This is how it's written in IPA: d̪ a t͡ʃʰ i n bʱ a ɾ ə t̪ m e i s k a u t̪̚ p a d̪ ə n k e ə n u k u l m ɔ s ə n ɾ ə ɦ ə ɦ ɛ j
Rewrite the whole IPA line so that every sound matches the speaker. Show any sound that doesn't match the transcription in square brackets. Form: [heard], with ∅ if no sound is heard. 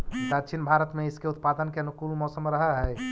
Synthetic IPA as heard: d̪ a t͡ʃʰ i n bʱ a ɾ ə t̪ m e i s k [e] u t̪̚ p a d̪ ə n k e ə n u k u l m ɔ s ə [m] ɾ ə ɦ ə ɦ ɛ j